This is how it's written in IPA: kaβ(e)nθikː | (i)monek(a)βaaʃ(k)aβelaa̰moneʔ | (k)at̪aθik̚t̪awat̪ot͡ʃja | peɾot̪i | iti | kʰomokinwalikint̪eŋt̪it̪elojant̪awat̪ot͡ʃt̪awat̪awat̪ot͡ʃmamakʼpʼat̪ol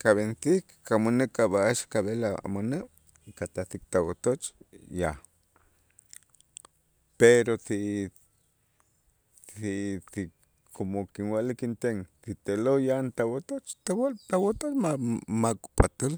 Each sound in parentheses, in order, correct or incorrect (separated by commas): correct, incorrect, correct, correct, correct